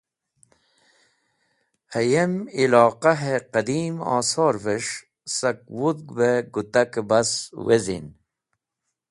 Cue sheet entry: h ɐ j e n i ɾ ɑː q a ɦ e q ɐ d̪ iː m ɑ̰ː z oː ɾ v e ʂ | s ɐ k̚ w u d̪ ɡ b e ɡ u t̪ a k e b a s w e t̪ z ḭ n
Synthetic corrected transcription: h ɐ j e m i l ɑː q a ɦ e q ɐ d̪ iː m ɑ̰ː s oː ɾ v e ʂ | s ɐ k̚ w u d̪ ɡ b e ɡ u t̪ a k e b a s w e z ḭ n